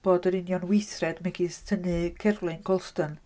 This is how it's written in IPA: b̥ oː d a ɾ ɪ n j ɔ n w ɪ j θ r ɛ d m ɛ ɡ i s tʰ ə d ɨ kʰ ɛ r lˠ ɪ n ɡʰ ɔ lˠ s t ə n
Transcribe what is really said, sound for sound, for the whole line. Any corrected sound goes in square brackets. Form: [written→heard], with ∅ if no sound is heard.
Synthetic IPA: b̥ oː d [a→ə] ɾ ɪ n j ɔ n w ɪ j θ r ɛ d m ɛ ɡ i s tʰ ə [d→n] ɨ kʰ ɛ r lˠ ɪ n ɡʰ ɔ lˠ s t ə n